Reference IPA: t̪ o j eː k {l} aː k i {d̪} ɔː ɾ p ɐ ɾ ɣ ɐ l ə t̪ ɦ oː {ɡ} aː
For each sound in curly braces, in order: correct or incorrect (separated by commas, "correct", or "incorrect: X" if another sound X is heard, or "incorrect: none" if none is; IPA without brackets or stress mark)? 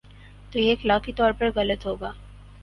correct, incorrect: t̪, correct